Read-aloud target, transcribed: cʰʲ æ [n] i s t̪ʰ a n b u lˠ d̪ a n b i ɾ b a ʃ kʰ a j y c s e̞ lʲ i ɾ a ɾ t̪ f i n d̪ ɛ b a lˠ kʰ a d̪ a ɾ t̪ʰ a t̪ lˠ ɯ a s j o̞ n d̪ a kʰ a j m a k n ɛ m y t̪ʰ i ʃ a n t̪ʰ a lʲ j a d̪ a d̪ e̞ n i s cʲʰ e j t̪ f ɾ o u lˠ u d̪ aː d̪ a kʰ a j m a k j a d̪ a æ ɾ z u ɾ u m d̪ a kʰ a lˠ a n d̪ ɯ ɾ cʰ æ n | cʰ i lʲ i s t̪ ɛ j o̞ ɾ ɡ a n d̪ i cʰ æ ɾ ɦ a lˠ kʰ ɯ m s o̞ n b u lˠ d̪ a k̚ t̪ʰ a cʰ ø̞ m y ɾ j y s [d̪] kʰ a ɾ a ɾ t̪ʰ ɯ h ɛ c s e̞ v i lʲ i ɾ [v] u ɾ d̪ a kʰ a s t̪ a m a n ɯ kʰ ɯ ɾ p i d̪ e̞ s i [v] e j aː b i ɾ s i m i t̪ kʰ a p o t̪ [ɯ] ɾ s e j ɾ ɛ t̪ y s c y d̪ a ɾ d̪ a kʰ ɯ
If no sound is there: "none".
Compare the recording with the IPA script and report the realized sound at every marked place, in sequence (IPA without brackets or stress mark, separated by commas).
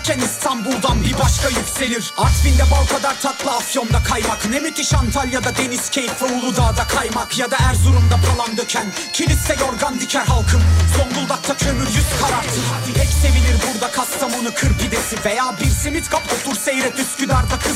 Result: n, t̪, b, v, u